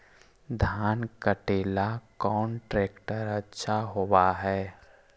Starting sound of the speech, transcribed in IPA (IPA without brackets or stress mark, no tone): d̪ʱ